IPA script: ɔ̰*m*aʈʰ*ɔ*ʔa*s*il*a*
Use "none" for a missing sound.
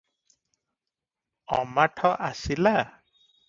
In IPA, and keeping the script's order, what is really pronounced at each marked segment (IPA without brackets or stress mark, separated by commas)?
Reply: m, ɔ, s, a